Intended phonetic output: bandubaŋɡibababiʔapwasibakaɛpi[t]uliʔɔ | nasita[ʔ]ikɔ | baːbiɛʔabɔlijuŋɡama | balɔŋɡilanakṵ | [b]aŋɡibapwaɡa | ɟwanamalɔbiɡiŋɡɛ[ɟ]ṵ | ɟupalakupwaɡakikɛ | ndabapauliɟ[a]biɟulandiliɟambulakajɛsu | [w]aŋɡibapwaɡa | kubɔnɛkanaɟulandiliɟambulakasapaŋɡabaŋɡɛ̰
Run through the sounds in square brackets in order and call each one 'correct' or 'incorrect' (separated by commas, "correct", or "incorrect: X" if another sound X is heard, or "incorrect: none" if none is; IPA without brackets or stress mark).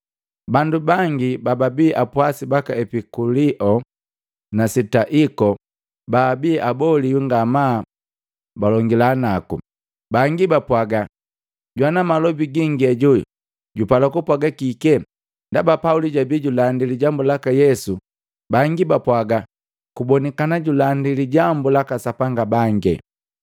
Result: incorrect: k, correct, correct, correct, correct, incorrect: b